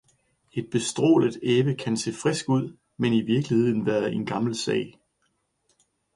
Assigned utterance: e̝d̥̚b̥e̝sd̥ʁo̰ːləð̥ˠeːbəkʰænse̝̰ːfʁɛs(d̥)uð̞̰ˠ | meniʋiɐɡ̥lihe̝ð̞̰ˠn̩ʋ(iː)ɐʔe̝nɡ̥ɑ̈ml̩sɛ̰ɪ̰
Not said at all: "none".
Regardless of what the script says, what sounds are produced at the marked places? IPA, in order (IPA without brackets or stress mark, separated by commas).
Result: ɡ̥, æː